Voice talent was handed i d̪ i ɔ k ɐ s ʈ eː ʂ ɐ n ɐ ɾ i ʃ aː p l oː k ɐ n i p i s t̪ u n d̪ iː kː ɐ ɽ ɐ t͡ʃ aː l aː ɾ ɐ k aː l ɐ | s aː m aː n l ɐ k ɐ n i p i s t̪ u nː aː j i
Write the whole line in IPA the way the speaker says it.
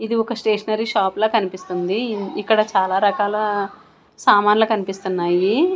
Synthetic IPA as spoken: i d̪ i ɔ k ɐ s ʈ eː ʂ ɐ n ɐ ɾ i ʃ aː p l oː k ɐ n i p i s t̪ u n d̪ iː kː ɐ ɽ ɐ t͡ʃ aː l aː ɾ ɐ k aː l ɐ | s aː m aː n l ɐ k ɐ n i p i s t̪ u nː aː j i